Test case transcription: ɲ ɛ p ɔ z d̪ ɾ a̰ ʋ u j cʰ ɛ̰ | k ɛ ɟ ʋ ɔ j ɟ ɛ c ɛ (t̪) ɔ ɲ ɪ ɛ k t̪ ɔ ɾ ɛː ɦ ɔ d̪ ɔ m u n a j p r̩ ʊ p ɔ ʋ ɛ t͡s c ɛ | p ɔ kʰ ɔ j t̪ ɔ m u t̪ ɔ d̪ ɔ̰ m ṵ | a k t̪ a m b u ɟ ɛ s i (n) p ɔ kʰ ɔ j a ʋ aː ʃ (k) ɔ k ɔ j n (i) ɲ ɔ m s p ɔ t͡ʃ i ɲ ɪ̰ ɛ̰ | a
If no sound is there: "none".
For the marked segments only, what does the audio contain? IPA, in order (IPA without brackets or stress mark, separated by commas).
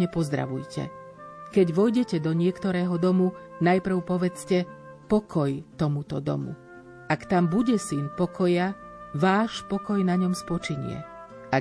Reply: d̪, n, p, a